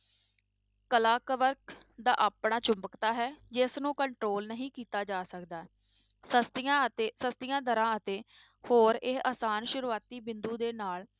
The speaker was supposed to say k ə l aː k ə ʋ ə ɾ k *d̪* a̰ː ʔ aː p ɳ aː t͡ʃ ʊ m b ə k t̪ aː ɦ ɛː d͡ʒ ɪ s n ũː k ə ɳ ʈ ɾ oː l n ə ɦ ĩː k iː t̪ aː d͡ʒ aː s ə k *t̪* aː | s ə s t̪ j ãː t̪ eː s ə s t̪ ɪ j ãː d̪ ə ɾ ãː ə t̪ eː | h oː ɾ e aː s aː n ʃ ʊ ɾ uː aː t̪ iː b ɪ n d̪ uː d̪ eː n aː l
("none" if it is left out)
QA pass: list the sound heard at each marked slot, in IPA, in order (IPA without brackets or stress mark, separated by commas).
d̪, d̪